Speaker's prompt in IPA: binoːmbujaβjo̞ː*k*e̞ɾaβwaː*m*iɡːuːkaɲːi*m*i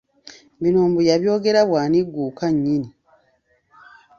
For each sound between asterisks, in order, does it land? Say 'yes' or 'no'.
no, no, no

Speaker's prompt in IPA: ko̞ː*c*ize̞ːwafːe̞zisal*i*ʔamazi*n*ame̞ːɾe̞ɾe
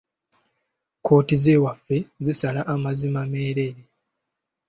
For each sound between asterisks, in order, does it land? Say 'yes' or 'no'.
no, no, no

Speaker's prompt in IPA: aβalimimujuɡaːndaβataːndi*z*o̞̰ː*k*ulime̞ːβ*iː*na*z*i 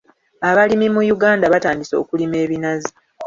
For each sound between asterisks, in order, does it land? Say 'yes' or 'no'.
no, yes, no, yes

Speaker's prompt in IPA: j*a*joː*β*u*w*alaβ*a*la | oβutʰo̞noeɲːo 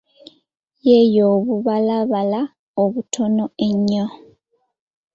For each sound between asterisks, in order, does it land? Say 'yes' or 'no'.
no, yes, no, yes

